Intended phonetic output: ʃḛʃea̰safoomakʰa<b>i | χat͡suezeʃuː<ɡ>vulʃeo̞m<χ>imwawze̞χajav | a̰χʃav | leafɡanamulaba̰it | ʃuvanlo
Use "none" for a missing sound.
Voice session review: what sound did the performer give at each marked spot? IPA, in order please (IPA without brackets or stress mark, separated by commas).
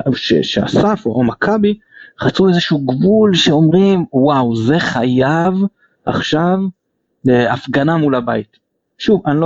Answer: b, ɡ, ʁ